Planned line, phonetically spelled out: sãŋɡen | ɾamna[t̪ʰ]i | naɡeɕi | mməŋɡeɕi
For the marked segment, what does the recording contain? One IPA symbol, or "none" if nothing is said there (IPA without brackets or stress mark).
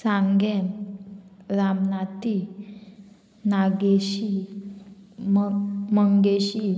t̪